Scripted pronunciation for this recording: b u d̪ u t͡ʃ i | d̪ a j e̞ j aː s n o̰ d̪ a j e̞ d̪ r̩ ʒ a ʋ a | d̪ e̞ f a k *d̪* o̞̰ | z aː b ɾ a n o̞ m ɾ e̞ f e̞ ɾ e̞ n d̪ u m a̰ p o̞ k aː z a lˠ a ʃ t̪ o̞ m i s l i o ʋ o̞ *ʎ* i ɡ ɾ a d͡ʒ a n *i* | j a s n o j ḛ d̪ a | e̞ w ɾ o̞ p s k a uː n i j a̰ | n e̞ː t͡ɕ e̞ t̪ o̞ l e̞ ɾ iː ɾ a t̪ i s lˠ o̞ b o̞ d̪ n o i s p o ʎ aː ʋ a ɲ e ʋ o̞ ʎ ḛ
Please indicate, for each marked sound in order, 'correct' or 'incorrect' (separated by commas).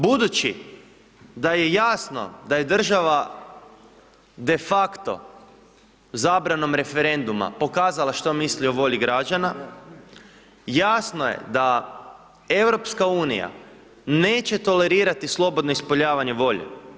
incorrect, correct, incorrect